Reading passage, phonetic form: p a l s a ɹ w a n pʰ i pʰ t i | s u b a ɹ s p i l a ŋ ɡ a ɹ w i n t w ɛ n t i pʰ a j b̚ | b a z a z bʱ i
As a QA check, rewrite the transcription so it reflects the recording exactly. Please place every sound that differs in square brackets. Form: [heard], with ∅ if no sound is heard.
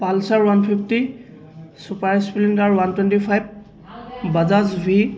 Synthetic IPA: p a l s a ɹ w a n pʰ i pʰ t i | s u [p] a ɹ s p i l [i] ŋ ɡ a ɹ w [a] n t w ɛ n t i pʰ a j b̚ | b a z a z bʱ i